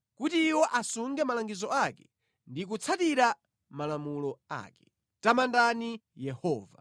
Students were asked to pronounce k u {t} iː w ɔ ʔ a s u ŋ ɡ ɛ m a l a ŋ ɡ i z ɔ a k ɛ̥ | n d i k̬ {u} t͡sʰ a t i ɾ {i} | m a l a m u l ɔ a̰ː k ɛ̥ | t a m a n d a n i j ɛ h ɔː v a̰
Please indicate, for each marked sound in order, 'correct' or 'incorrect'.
correct, correct, incorrect: a

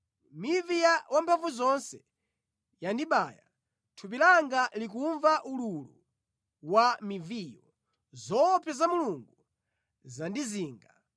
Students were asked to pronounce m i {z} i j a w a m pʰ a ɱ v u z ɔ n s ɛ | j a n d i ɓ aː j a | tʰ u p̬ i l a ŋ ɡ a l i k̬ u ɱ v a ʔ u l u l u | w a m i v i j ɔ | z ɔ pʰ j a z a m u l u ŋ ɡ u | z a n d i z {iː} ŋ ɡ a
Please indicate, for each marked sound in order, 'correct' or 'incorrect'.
incorrect: v, correct

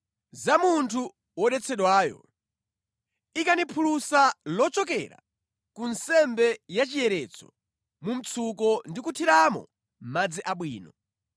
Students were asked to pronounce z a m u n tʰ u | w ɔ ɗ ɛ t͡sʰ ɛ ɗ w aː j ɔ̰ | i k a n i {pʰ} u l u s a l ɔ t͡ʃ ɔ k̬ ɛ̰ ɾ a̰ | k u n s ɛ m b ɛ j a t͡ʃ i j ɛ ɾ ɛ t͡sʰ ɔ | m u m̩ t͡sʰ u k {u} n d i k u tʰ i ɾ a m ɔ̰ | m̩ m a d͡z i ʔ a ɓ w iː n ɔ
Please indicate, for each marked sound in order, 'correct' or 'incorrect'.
correct, incorrect: ɔ

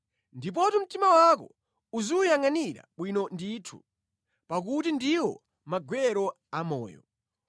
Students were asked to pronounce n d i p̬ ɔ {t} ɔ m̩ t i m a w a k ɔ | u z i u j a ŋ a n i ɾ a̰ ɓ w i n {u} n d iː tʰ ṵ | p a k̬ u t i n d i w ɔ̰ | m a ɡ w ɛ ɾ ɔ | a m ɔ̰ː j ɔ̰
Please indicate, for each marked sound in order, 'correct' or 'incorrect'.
correct, incorrect: ɔ

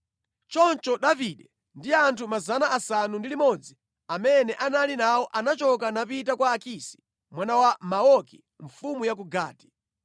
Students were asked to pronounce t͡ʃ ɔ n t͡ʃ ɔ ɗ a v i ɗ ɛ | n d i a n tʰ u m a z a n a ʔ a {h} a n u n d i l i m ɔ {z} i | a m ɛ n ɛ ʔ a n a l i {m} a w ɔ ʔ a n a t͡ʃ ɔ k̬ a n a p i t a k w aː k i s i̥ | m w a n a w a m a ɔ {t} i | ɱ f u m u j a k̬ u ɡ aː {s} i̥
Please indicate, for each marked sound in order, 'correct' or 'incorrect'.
incorrect: s, incorrect: d͡z, incorrect: n, incorrect: k, incorrect: t

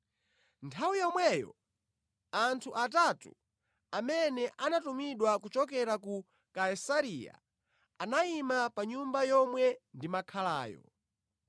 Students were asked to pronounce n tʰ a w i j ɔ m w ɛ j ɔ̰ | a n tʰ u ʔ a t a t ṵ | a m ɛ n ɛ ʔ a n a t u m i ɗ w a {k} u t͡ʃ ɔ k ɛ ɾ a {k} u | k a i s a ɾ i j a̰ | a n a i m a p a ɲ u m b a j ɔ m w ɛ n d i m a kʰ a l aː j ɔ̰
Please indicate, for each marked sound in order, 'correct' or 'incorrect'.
correct, correct

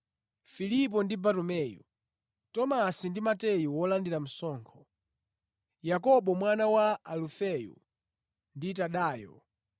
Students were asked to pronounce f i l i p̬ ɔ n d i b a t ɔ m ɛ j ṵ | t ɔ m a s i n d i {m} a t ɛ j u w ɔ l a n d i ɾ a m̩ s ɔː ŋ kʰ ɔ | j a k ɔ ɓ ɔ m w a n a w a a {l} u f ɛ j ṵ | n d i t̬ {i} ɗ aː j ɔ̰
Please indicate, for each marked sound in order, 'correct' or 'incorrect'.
correct, correct, incorrect: a

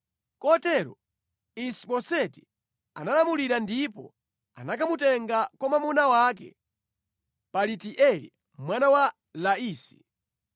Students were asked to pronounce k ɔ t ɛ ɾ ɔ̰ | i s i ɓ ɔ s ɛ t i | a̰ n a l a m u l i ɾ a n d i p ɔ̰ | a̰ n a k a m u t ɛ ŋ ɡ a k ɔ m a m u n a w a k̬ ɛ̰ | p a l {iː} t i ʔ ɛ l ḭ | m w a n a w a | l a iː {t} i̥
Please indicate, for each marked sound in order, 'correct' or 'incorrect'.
incorrect: i, incorrect: s

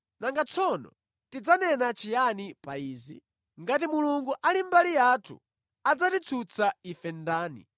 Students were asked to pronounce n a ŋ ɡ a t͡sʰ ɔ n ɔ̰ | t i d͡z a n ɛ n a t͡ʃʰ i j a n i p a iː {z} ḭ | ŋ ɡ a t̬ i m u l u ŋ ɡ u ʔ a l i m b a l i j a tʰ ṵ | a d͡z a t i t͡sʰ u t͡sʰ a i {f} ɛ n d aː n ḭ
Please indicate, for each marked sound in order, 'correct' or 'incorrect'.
correct, correct

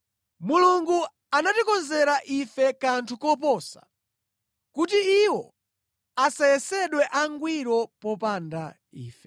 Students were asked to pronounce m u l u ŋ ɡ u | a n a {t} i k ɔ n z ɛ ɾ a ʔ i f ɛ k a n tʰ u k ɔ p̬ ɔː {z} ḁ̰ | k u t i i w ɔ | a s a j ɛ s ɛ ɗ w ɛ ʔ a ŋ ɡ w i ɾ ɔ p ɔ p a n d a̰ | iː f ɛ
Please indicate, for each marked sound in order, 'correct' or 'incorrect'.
correct, incorrect: s

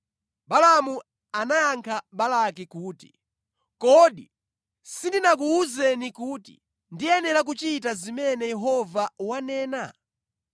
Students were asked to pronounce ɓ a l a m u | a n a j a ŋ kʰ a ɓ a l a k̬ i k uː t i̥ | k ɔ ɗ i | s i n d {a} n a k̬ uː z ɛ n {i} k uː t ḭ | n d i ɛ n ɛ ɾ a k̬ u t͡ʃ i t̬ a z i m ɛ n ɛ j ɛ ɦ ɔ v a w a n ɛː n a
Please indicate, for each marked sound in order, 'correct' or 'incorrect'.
incorrect: i, correct

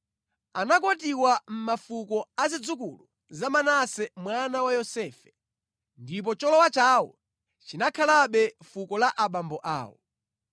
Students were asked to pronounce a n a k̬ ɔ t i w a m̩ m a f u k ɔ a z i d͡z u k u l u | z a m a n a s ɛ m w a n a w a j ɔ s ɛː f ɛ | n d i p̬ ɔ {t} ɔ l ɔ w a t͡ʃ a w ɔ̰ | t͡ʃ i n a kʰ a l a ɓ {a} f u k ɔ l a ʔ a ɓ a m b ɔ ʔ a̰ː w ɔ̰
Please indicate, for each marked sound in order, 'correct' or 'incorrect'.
incorrect: t͡ʃ, incorrect: ɛ

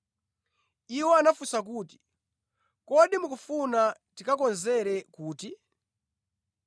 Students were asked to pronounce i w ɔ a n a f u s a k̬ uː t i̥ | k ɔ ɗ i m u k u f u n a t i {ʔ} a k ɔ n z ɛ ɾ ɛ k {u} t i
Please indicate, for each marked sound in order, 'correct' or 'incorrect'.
incorrect: k, incorrect: uː

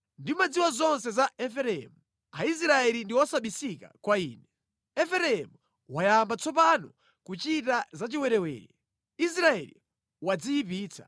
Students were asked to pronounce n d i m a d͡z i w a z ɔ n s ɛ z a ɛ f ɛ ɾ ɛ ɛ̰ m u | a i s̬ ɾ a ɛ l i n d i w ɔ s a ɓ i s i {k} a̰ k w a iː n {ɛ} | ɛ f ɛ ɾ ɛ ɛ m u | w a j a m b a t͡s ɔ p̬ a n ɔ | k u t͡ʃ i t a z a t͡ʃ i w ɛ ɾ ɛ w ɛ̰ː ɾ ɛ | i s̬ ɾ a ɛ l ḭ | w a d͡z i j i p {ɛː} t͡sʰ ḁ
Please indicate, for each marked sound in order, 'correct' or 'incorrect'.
correct, correct, incorrect: iː

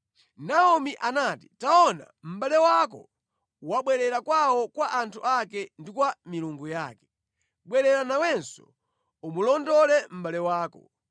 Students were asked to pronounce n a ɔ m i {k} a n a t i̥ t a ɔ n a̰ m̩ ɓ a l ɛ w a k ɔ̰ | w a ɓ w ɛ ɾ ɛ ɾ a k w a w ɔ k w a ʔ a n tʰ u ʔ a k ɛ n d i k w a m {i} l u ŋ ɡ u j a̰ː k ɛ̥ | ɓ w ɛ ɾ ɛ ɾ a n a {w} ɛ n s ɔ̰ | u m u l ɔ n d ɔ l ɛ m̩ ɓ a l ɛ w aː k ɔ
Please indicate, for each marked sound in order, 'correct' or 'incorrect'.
incorrect: ʔ, correct, correct

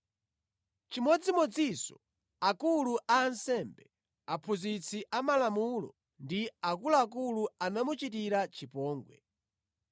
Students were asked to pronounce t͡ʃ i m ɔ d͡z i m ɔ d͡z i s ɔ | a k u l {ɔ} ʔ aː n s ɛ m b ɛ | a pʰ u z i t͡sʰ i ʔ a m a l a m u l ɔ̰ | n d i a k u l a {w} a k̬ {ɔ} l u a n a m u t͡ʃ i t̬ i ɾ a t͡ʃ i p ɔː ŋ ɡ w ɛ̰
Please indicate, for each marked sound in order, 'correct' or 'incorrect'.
incorrect: u, incorrect: none, incorrect: u

